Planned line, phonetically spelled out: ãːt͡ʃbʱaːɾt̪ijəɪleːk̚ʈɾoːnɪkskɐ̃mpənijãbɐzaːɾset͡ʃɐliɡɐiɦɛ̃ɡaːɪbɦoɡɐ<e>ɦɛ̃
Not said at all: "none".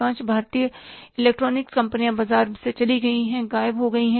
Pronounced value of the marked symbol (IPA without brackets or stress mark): i